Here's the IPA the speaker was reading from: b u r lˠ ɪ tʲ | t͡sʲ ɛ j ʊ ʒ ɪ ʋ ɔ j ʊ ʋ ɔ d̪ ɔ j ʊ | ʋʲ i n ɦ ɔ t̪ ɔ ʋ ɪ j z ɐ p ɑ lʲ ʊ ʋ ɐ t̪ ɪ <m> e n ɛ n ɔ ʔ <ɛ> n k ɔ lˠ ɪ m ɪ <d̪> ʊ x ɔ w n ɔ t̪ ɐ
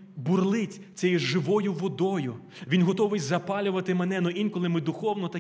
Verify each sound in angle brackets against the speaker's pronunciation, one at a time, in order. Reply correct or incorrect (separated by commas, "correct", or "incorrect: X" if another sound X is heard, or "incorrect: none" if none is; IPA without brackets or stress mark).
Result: correct, incorrect: i, correct